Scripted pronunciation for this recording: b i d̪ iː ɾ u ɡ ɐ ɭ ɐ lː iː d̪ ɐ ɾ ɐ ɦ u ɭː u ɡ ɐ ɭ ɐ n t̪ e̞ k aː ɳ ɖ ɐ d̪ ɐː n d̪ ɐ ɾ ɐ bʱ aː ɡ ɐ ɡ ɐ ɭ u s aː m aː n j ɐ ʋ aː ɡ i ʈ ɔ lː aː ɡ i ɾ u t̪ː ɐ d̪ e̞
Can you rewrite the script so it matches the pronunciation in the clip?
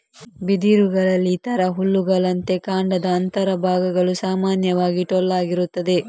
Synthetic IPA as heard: b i d̪ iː ɾ u ɡ ɐ ɭ ɐ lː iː t̪ ɐ ɾ ɐ ɦ u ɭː u ɡ ɐ ɭ ɐ n t̪ e̞ k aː ɳ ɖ ɐ d̪ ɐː n t̪ ɐ ɾ ɐ bʱ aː ɡ ɐ ɡ ɐ ɭ u s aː m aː n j ɐ ʋ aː ɡ i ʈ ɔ lː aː ɡ i ɾ u t̪ː ɐ d̪ e̞